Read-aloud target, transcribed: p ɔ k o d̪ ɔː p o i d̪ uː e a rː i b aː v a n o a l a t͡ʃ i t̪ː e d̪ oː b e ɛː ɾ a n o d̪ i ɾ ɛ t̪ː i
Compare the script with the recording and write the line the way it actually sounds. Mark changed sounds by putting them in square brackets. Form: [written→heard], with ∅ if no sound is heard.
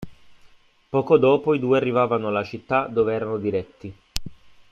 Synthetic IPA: p [ɔ→ɔː] k o d̪ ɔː p o i d̪ uː e a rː i [b→v] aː v a n o a l a t͡ʃ i t̪ː [e→a] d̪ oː [b→v] e ɛː ɾ a n o d̪ i ɾ ɛ t̪ː i